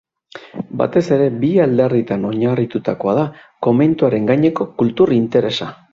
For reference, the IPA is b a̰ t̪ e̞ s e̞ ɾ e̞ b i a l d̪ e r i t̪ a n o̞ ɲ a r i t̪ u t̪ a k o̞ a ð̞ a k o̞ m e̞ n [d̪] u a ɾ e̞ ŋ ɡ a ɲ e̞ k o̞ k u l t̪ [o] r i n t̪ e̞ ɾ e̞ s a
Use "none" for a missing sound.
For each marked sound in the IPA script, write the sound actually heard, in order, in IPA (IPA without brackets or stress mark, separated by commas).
t̪, u